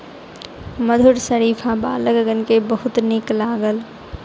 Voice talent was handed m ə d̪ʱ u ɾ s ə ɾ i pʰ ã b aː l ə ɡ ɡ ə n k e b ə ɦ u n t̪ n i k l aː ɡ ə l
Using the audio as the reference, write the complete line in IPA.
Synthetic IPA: m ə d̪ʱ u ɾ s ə ɾ i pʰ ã b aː l ə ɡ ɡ ə n k e b ə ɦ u t̪ n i k l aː ɡ ə l